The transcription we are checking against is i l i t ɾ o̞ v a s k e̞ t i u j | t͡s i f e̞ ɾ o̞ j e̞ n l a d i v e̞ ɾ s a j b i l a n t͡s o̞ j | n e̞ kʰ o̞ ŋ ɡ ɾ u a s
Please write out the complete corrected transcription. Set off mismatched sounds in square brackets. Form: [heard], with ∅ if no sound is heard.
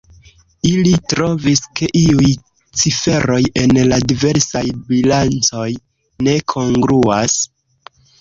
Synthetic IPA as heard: i l i t ɾ o̞ v [i] s k e̞ [ʔ] i u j | t͡s i f e̞ ɾ o̞ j e̞ n l a d i v e̞ ɾ s a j b i l a n t͡s o̞ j | n e̞ kʰ o̞ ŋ ɡ ɾ u a s